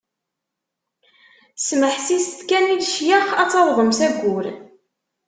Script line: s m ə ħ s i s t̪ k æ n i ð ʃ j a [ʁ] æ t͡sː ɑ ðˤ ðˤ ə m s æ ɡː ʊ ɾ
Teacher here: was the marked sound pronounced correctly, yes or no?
no